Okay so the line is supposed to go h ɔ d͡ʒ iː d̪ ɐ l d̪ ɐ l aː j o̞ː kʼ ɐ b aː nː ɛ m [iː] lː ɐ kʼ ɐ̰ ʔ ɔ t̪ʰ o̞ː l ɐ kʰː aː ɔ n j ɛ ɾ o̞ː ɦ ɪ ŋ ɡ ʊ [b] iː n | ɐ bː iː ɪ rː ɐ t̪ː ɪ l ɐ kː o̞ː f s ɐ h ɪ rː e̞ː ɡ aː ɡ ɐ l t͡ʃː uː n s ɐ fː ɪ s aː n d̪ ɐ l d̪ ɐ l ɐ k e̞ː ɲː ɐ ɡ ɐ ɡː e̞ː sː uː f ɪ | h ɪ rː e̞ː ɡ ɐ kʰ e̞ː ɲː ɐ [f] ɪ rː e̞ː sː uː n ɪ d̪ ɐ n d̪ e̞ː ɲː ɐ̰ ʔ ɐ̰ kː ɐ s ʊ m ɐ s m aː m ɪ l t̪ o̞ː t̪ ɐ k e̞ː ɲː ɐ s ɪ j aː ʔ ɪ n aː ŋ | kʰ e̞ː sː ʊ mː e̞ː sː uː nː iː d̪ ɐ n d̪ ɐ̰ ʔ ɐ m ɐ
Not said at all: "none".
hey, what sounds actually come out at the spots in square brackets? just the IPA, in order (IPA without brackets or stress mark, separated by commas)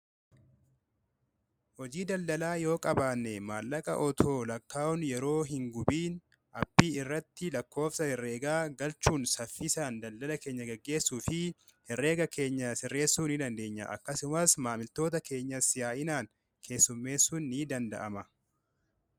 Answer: aː, b, s